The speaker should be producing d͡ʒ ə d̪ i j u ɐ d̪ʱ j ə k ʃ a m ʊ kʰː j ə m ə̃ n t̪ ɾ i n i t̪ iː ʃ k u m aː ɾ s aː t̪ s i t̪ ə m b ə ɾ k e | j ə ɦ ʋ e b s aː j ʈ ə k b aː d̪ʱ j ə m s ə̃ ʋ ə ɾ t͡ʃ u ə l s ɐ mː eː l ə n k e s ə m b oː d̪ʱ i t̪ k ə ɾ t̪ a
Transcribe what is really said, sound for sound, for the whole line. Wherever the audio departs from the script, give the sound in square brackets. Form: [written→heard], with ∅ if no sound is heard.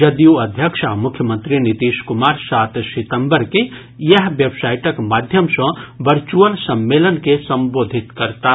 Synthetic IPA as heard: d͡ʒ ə d̪ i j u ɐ d̪ʱ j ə k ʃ a m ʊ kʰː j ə m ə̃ n t̪ ɾ i n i t̪ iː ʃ k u m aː ɾ s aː t̪ s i t̪ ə m b ə ɾ k e | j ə ɦ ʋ e b s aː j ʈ ə k [b→m] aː d̪ʱ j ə m s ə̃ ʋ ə ɾ t͡ʃ u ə l s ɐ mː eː l ə n k e s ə m b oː d̪ʱ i t̪ k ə ɾ t̪ a